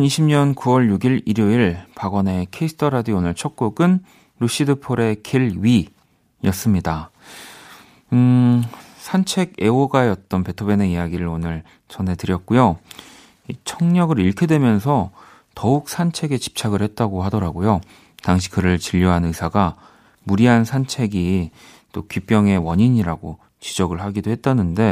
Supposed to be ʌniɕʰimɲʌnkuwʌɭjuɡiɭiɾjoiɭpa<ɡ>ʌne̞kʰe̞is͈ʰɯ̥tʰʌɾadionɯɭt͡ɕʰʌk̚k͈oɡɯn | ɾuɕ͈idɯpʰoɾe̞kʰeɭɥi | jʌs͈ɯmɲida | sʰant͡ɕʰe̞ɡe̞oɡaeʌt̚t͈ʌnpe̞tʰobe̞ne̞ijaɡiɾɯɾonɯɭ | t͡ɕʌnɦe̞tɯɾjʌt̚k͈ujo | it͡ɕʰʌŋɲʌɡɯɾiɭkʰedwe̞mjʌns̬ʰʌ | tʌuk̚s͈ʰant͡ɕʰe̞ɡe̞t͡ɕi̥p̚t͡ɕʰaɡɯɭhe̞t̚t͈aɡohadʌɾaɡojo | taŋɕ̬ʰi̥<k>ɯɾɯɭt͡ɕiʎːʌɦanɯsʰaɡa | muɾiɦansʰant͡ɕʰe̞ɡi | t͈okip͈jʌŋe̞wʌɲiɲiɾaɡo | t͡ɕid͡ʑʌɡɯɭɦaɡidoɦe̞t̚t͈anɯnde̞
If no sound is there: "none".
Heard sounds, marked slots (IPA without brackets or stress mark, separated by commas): ɡ, k